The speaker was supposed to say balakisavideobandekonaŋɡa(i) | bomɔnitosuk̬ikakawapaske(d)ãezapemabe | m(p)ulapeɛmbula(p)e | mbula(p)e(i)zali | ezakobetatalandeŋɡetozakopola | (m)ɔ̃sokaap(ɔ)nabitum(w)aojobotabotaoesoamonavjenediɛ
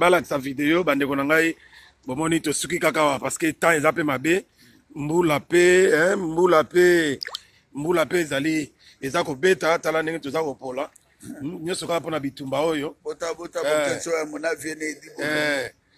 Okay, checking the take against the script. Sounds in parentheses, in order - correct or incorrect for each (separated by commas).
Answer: correct, incorrect, incorrect, correct, correct, incorrect, incorrect, incorrect, incorrect